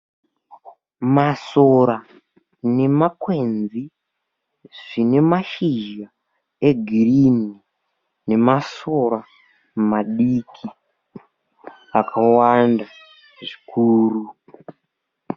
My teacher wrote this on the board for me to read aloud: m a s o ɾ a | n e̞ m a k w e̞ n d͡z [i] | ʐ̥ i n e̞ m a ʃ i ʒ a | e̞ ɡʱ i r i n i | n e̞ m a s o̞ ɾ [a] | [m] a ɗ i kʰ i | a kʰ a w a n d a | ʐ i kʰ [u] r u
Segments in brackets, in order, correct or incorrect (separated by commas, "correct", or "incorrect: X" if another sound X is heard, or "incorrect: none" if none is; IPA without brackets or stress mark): correct, correct, correct, incorrect: uː